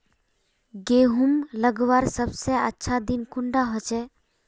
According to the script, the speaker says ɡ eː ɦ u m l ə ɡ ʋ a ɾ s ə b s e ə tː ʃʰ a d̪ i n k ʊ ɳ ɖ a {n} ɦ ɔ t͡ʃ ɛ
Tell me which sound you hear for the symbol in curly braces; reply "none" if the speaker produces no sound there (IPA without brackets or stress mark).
none